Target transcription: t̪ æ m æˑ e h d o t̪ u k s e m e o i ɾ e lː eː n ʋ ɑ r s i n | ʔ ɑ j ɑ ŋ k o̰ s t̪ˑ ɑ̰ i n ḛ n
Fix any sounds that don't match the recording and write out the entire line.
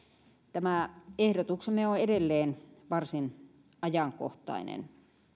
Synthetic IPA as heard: t̪ æ m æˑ e h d o t̪ u k s e m e o e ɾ e lː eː n ʋ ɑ r s i n | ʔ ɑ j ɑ ŋ k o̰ h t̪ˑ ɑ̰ i n ḛ n